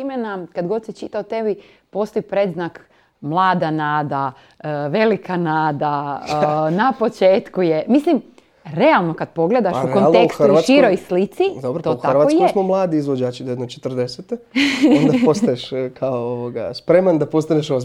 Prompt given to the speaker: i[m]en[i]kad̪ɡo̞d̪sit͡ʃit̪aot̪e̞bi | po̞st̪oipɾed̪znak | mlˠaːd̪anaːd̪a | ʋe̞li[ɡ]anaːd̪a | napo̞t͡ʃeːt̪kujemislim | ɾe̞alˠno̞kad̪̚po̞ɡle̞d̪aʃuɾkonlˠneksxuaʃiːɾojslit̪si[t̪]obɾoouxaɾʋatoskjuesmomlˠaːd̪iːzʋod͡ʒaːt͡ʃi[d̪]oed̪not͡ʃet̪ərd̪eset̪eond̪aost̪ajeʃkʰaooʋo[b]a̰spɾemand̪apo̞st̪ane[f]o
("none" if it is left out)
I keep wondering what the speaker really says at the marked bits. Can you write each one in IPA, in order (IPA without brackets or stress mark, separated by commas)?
m, a, k, d̪, d̪, ɡ, ʃ